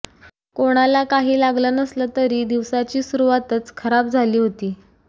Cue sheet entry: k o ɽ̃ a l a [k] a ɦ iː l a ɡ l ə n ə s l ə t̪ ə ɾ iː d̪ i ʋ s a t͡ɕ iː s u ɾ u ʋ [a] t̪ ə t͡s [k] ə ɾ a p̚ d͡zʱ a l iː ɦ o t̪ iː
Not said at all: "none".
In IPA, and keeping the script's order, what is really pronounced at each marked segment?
k, a, kʰ

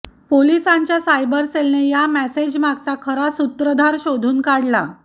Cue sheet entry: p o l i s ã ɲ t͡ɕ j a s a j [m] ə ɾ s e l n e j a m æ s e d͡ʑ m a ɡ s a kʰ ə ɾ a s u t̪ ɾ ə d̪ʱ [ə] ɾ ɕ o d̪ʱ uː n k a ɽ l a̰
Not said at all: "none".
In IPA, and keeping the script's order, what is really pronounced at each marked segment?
b, a

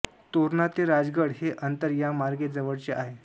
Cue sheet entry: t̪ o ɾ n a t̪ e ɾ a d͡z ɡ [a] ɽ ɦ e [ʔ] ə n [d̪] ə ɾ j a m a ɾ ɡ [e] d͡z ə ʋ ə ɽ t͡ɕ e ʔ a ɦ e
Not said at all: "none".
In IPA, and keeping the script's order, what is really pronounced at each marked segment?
ə, ʔ, t̪, e

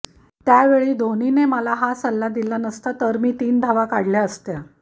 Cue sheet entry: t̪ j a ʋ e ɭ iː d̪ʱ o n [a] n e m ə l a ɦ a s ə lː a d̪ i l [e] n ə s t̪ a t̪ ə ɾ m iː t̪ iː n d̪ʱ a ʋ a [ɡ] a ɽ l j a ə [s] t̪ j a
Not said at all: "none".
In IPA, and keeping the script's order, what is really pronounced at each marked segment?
i, a, k, s

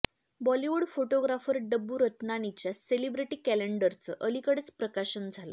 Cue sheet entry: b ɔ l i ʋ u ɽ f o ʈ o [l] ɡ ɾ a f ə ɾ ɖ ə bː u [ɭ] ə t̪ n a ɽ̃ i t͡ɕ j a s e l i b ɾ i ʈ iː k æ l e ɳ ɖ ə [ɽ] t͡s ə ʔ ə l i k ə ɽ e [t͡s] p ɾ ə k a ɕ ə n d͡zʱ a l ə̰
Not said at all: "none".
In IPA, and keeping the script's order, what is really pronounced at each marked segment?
none, ɾ, ɾ, t͡s

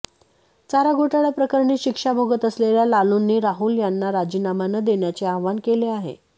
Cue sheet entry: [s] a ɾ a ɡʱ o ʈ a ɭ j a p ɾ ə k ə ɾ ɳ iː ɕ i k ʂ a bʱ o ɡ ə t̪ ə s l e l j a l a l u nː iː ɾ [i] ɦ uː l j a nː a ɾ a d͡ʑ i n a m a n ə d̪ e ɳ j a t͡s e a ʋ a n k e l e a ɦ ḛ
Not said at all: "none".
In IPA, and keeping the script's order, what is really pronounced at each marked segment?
t͡s, a

